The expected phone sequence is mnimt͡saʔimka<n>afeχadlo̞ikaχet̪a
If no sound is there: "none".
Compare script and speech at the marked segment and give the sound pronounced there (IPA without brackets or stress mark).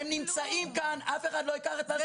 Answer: n